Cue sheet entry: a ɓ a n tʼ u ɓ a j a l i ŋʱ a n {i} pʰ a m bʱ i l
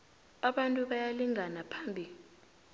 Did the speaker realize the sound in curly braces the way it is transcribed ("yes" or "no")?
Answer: no